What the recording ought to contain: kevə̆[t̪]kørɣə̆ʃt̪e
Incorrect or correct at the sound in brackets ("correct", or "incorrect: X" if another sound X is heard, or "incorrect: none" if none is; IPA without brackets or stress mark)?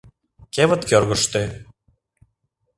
correct